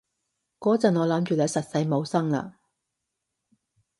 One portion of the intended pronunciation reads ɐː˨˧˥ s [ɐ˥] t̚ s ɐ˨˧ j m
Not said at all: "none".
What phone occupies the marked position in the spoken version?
ɐ˨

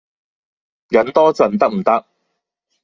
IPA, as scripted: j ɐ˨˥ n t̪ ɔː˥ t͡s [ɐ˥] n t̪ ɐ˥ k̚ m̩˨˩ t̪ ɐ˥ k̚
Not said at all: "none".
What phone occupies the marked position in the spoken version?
ɐ˨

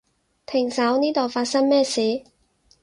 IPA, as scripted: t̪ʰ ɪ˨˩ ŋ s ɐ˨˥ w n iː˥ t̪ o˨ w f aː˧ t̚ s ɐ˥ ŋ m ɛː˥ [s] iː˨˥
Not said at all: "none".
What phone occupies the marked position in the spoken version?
s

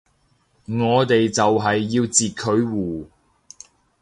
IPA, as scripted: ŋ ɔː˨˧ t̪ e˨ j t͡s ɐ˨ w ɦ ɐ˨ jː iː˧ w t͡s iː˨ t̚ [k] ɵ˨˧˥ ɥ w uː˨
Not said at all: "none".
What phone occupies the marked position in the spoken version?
kʰ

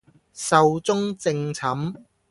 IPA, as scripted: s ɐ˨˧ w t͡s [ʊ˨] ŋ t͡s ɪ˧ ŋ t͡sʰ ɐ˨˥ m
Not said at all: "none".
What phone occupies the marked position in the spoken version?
ʊ˥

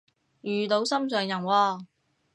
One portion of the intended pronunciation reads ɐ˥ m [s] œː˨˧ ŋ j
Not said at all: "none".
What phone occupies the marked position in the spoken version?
s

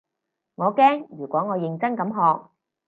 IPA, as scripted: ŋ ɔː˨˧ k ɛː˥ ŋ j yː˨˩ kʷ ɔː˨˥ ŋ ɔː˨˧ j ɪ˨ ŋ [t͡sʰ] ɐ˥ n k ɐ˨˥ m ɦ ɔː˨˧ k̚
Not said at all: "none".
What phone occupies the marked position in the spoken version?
t͡s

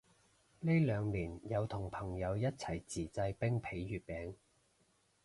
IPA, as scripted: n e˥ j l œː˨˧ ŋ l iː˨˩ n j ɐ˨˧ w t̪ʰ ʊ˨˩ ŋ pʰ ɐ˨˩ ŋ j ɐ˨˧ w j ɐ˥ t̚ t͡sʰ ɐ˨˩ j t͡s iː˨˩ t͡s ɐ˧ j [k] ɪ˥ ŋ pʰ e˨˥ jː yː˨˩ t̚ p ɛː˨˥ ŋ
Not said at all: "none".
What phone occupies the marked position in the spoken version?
p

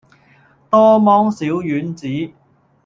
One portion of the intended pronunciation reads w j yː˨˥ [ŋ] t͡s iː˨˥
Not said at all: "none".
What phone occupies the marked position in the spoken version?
n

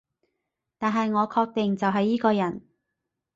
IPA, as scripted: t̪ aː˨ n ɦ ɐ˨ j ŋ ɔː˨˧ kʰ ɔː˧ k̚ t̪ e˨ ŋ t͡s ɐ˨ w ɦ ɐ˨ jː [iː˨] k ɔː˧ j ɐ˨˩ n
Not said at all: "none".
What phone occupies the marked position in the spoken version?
iː˥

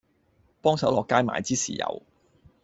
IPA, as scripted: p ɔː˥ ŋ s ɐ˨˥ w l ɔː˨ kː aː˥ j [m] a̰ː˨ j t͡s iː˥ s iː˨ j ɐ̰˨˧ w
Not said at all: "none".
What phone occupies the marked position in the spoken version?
m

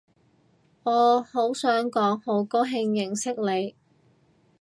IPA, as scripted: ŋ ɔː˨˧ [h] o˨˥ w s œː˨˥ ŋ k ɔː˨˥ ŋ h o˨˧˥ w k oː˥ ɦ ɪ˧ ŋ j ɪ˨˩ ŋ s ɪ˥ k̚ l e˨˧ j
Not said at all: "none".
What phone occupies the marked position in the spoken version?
h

